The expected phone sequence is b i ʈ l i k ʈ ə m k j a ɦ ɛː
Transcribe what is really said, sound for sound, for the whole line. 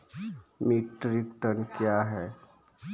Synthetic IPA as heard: m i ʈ ɾ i k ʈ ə n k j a ɦ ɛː